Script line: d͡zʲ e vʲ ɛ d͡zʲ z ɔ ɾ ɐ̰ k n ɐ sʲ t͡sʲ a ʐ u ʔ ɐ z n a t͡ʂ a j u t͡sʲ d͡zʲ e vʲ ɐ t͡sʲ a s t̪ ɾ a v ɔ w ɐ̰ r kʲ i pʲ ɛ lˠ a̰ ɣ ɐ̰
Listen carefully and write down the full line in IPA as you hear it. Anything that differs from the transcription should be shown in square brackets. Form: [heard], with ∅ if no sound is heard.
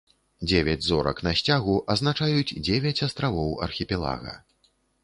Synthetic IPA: d͡zʲ e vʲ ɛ d͡zʲ z ɔ ɾ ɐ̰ k n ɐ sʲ t͡sʲ a [ɣ] u ʔ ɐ z n a t͡ʂ a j u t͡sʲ d͡zʲ e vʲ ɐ t͡sʲ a s t̪ ɾ a v ɔ w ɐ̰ r [xʲ] i pʲ ɛ lˠ a̰ ɣ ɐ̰